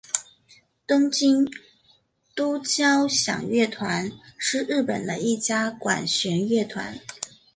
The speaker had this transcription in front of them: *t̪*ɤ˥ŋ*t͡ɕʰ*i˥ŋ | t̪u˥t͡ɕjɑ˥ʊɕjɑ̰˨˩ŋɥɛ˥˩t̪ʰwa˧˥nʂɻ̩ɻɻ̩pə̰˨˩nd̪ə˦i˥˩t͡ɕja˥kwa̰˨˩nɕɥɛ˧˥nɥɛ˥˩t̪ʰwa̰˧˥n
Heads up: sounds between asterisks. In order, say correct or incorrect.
correct, incorrect: t͡ɕ

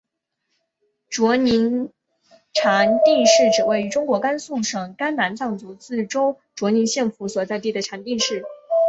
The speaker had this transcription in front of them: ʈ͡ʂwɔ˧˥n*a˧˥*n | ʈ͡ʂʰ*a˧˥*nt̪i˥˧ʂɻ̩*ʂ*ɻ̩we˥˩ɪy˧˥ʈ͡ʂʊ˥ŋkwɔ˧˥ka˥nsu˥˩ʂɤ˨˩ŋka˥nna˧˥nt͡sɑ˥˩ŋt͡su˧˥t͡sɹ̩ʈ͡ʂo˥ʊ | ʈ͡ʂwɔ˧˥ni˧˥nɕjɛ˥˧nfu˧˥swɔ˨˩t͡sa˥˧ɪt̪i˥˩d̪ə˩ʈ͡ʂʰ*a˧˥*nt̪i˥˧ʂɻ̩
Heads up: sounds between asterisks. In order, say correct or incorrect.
incorrect: i˧˥, correct, incorrect: ʈ͡ʂ, correct

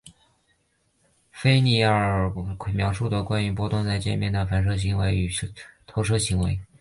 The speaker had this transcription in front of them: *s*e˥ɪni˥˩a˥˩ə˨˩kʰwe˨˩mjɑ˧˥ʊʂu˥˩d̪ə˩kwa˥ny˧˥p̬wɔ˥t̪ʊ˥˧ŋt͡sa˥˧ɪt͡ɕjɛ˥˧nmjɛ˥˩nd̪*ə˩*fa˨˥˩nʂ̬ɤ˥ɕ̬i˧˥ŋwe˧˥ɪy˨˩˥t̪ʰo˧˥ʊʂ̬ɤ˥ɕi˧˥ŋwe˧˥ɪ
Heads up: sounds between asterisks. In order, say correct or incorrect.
incorrect: f, correct

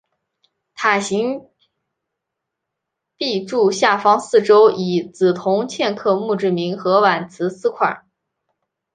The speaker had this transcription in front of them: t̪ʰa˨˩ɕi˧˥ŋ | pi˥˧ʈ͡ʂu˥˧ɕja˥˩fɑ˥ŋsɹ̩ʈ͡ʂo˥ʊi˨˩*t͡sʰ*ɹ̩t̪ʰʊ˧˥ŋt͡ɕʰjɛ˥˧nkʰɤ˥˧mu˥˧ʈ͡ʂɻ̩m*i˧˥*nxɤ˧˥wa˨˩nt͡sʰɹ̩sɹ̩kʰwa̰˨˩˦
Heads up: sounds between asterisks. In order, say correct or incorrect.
incorrect: t͡s, correct

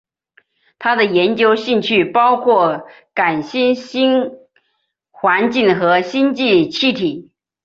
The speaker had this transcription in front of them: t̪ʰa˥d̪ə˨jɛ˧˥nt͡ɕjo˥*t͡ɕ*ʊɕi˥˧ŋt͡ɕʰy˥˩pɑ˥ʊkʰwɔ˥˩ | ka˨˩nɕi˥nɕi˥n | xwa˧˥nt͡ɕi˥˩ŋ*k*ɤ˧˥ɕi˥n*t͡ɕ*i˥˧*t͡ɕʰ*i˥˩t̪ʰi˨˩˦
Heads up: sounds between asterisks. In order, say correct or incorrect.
incorrect: none, incorrect: x, correct, correct

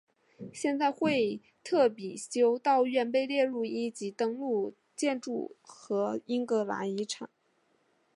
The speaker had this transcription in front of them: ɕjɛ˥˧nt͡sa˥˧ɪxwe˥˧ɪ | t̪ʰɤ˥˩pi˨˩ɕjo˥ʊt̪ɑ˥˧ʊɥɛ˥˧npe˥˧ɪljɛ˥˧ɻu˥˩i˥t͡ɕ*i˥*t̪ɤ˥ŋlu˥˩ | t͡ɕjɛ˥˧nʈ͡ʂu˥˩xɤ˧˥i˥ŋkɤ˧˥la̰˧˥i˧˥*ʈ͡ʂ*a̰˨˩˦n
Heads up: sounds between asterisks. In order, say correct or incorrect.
incorrect: i˧˥, incorrect: ʈ͡ʂʰ

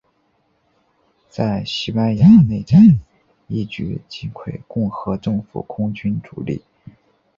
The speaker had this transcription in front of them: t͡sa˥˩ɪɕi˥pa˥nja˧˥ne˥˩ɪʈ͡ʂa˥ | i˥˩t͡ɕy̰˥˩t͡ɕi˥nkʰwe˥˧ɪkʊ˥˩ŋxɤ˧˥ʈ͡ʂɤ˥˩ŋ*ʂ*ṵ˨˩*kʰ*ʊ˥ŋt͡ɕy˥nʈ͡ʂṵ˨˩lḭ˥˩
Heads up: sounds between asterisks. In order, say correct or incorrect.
incorrect: f, correct

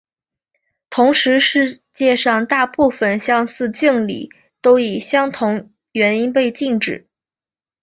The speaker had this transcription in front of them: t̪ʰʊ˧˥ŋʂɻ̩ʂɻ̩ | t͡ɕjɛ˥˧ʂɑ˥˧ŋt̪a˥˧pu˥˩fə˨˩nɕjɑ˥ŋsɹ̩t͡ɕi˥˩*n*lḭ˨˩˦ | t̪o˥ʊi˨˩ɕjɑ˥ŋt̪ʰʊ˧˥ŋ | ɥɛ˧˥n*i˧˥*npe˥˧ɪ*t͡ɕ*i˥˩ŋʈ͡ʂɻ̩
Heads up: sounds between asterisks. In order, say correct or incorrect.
incorrect: ŋ, incorrect: i˥, correct

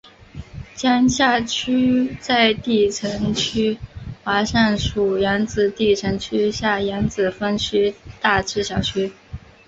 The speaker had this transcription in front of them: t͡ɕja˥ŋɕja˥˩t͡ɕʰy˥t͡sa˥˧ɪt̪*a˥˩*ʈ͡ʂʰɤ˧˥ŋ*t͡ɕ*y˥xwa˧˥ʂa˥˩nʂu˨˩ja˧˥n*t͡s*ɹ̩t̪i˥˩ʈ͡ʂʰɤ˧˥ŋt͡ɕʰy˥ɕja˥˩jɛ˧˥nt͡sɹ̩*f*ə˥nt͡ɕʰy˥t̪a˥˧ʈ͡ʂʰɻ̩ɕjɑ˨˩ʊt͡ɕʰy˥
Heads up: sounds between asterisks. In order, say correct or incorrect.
incorrect: i˥˩, incorrect: t͡ɕʰ, correct, correct

